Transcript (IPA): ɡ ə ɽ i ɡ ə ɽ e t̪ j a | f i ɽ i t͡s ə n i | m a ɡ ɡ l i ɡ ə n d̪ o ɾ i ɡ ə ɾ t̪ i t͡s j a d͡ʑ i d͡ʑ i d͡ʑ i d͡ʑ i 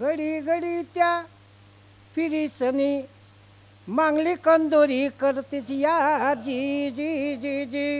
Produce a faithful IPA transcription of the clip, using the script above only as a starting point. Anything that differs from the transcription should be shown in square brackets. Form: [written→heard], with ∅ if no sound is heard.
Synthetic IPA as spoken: ɡ ə ɽ i ɡ ə ɽ [e→i] t̪ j a | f i [ɽ→ɾ] i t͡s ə n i | m a [ɡ→ŋ] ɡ l i [ɡ→k] ə n d̪ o ɾ i [ɡ→k] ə ɾ t̪ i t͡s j a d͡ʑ i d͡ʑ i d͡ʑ i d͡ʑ i